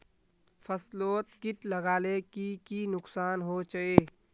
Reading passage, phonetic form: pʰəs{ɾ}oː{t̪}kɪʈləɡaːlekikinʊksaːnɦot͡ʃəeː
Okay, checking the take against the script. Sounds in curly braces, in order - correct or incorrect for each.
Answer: incorrect: l, correct

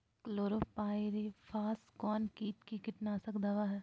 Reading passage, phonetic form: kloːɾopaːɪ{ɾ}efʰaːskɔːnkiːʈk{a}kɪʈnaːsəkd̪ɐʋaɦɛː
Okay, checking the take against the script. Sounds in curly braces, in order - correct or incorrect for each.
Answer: correct, incorrect: i

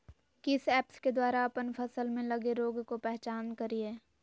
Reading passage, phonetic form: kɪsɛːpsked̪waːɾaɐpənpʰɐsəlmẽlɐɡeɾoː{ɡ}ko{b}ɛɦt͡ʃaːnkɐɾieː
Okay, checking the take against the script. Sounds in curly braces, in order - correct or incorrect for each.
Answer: correct, incorrect: p

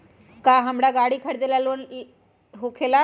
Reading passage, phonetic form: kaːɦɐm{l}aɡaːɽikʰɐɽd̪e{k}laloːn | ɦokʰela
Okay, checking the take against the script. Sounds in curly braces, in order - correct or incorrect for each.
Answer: incorrect: ɽ, incorrect: none

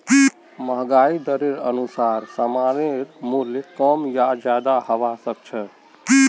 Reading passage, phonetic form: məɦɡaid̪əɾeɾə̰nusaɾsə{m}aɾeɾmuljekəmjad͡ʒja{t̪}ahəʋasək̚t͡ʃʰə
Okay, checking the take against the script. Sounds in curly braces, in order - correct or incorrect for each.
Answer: correct, incorrect: d̪

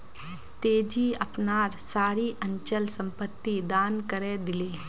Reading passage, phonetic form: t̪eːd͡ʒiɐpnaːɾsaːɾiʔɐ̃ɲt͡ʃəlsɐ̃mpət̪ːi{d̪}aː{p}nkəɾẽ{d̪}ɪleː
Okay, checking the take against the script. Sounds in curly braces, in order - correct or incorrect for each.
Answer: correct, incorrect: none, correct

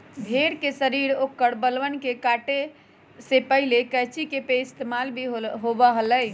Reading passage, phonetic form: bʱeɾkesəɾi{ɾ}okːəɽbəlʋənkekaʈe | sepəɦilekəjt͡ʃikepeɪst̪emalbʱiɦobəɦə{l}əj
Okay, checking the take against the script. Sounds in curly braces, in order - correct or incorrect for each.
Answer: correct, correct

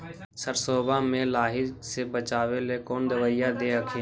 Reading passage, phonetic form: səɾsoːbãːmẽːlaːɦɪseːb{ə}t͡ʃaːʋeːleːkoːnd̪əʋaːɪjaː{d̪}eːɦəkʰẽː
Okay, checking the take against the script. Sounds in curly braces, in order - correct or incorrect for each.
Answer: correct, correct

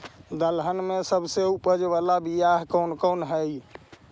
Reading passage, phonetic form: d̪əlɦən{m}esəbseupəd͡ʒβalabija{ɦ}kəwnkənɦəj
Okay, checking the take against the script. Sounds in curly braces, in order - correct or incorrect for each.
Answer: correct, correct

